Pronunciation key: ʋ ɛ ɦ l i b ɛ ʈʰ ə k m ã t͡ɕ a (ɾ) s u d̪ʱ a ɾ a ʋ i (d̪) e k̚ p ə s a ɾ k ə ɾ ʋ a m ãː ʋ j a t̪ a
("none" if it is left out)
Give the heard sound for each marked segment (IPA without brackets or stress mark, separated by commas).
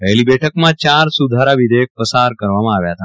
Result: ɾ, d̪